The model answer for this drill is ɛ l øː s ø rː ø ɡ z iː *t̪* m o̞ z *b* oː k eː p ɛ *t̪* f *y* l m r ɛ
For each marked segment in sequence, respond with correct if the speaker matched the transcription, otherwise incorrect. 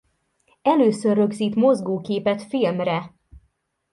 correct, incorrect, correct, incorrect

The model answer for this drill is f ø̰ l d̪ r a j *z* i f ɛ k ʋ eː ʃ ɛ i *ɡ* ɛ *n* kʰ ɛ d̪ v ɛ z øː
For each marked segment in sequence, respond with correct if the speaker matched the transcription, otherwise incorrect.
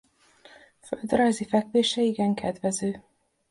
correct, correct, incorrect

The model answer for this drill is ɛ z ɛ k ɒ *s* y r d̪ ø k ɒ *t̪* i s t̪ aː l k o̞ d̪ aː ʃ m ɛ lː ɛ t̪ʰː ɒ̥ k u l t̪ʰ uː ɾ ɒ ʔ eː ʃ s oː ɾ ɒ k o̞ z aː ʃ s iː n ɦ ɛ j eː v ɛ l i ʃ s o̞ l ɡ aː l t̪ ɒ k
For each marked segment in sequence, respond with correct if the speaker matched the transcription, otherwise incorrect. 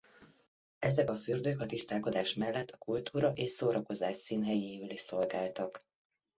incorrect, correct

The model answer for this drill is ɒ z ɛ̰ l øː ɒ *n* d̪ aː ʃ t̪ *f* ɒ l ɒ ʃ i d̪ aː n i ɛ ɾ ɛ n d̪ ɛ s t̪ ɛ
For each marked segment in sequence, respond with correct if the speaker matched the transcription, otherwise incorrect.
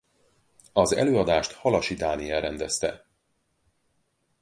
incorrect, incorrect

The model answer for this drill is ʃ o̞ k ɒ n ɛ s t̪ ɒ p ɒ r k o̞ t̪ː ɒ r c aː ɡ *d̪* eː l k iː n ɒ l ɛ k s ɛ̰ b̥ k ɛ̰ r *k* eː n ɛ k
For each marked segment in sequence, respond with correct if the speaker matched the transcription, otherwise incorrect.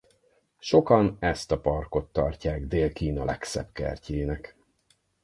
correct, incorrect

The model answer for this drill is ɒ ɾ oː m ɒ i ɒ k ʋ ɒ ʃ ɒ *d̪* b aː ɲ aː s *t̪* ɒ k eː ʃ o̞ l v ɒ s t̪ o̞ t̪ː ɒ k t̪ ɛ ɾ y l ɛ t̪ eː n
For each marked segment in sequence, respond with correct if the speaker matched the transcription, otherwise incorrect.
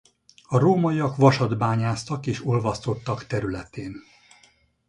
correct, correct

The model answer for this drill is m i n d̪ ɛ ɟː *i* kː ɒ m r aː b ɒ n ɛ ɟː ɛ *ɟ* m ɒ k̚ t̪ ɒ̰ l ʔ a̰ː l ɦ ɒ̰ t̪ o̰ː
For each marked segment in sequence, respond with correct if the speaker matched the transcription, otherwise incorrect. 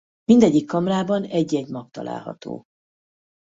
correct, correct

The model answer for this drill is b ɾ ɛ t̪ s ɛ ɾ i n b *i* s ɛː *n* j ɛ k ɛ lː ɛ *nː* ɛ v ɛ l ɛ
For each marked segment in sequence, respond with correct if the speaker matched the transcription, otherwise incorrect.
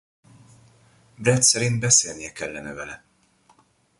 incorrect, correct, incorrect

